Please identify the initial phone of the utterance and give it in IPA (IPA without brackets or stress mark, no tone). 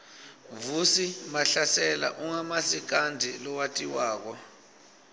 v